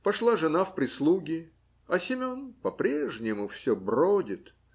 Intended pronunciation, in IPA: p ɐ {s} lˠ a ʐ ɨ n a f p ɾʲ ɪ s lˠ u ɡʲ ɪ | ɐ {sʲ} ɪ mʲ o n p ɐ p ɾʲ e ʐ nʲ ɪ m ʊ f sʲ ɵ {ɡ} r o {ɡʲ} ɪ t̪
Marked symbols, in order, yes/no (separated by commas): no, yes, no, no